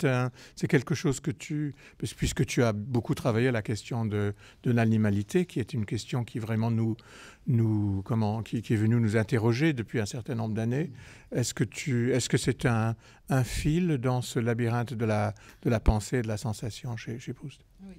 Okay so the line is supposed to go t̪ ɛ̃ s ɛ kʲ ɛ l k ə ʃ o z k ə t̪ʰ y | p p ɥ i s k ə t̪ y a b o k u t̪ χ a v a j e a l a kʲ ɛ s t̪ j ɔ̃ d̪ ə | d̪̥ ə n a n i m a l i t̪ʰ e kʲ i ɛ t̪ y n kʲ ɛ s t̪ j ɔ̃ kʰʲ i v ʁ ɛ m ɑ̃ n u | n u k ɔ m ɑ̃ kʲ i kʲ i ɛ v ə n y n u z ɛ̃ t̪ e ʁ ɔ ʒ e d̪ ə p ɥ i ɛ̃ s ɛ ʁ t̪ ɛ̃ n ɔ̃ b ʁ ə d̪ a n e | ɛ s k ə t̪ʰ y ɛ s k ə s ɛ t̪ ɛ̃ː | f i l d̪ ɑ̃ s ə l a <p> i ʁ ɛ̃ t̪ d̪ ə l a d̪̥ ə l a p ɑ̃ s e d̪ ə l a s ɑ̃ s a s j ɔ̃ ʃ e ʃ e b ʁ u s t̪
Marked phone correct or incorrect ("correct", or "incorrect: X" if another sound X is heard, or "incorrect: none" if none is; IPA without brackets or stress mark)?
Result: incorrect: b